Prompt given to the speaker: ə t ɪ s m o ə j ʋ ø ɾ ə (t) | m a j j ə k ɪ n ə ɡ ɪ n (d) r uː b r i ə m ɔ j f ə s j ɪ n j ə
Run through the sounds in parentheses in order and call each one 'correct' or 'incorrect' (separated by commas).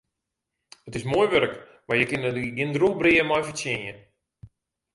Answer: incorrect, correct